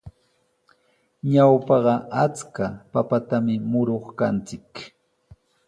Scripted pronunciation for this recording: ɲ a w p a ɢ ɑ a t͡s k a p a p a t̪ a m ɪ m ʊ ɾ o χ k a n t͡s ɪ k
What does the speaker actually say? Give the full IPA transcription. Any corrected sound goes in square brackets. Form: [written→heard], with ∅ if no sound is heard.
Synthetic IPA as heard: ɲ a w p [a→ɑ] ɢ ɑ a t͡s k a p a p a t̪ a m ɪ m ʊ ɾ o χ k a n t͡s ɪ k